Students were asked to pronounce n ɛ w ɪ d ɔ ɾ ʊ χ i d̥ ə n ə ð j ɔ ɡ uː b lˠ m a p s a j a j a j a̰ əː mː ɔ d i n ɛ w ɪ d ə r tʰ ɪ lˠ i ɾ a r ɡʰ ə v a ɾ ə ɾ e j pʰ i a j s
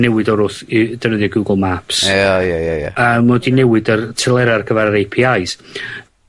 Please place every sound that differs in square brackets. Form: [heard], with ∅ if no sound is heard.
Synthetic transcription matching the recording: n ɛ w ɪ d ɔ ɾ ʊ [θ] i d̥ ə n ə ð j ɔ ɡ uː [ɡ] lˠ m a p s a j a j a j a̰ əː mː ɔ d i n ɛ w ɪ d ə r tʰ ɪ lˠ [ɛ] ɾ a r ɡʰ ə v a ɾ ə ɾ e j pʰ i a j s

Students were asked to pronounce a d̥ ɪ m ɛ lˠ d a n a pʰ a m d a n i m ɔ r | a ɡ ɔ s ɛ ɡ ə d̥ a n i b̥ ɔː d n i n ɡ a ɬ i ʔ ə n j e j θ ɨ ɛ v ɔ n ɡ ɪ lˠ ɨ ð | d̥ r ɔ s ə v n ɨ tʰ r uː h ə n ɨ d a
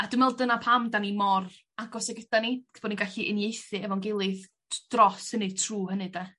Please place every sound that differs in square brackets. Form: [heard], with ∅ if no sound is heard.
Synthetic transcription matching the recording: a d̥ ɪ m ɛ lˠ d [ə] n a pʰ a m d a n i m ɔ r | a ɡ ɔ s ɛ ɡ ə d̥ a n i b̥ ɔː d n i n ɡ a ɬ i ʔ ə n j e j θ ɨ ɛ v ɔ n ɡ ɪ lˠ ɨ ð | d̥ r ɔ s ə [∅] n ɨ tʰ r uː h ə n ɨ d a

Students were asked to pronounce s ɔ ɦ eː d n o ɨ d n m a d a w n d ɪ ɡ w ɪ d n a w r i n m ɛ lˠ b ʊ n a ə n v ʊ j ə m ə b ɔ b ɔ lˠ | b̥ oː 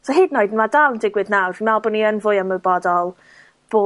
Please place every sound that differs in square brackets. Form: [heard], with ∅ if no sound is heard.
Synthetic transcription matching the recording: s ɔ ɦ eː d n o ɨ d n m a d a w n d ɪ ɡ w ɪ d n a w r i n m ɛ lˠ b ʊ n [i] ə n v ʊ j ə m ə b ɔ [d] ɔ lˠ | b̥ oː

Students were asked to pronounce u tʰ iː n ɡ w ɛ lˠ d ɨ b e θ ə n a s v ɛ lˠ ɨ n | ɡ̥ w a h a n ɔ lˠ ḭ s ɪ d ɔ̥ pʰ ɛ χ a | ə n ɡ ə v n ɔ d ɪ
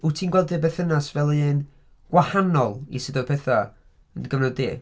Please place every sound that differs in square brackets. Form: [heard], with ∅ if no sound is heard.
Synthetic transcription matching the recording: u tʰ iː n ɡ w ɛ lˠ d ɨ b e θ ə n a s v ɛ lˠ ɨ n | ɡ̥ w a h a n ɔ lˠ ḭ s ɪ d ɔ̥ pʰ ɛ [θ] a | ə n ɡ ə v n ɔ d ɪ

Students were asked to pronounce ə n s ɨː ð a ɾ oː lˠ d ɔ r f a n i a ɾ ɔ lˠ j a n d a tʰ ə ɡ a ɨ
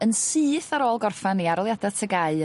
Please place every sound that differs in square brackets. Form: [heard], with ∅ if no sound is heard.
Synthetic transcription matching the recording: ə n s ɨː [θ] a ɾ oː lˠ [ɡ] ɔ r f a n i a ɾ ɔ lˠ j a [∅] d a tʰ ə ɡ a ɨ

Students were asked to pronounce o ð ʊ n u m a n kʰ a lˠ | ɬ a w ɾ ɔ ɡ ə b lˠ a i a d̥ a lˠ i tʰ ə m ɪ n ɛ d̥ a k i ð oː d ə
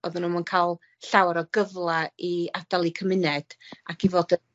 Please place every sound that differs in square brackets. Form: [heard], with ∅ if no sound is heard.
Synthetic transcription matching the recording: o ð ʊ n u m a n kʰ a lˠ | ɬ a w ɾ ɔ ɡ ə [v] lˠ a i a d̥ a lˠ i [kʰ] ə m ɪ n ɛ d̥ a k i [v] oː d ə

